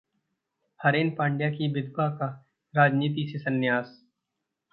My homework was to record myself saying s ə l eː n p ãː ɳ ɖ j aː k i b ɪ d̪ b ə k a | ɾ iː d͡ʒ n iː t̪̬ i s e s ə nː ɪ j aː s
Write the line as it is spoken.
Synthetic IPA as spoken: h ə ɾ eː n p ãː ɳ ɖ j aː k i b ɪ d̪ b a k a | ɾ aː d͡ʒ n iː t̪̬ i s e s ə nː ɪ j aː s